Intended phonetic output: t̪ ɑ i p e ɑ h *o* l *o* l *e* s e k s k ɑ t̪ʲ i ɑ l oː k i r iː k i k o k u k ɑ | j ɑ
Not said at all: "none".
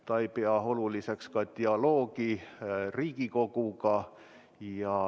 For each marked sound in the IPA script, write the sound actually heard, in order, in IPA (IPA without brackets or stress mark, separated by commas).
o, u, i